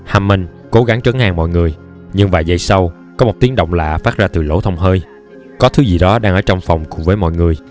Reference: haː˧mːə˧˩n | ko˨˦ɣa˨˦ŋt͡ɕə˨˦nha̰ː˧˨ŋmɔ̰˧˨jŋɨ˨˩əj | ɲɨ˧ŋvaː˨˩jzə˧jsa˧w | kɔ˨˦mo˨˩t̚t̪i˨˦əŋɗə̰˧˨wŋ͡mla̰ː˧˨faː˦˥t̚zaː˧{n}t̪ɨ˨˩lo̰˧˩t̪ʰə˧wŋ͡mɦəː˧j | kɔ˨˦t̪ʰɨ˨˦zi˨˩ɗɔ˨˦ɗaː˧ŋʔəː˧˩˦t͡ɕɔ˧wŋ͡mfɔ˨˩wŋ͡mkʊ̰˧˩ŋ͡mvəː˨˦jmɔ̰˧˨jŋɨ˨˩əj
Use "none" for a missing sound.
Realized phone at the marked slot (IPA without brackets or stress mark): none